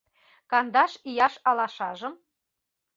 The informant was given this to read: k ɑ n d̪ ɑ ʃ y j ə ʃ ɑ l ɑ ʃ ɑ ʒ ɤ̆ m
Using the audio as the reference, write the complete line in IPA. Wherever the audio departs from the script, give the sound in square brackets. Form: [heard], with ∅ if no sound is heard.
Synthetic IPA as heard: k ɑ n d̪ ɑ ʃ [i] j [ɑ] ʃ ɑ l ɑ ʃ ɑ ʒ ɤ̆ m